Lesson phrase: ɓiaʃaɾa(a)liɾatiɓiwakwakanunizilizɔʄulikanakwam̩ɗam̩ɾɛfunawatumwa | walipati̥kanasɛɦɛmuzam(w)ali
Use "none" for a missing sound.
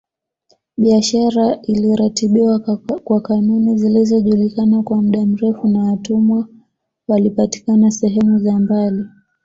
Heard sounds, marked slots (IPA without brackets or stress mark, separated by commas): i, b